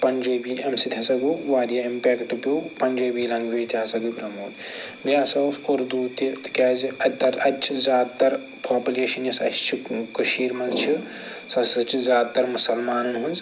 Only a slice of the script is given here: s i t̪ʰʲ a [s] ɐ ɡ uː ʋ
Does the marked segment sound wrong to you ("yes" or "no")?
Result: no